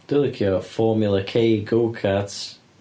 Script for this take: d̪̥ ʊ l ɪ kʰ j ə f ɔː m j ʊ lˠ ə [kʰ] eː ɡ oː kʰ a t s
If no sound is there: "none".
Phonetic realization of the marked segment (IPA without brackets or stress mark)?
kʰ